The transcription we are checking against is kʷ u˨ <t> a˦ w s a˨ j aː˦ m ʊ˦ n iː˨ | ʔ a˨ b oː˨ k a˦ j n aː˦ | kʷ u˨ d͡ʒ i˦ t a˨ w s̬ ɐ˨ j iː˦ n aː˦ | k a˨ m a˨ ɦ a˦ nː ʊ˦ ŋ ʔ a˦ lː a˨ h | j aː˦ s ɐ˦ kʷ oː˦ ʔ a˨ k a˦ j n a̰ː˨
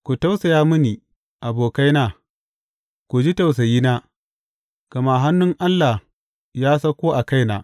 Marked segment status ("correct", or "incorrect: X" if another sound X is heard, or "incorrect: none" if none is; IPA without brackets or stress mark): correct